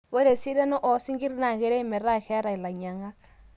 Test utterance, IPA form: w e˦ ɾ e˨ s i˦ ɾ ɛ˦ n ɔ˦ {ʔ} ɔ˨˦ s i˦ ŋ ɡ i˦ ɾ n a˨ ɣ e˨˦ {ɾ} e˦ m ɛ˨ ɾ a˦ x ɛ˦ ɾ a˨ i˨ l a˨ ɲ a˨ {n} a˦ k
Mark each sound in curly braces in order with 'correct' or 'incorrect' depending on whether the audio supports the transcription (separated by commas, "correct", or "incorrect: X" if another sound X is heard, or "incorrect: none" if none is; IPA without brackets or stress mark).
correct, correct, incorrect: ŋ